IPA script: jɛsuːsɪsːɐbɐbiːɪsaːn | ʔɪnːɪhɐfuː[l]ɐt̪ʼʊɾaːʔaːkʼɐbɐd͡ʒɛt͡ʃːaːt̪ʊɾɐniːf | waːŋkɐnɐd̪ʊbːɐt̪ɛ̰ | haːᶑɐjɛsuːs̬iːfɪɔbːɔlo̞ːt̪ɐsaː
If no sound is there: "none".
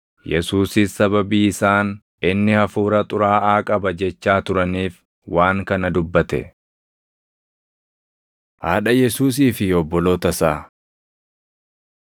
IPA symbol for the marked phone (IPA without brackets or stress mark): ɾ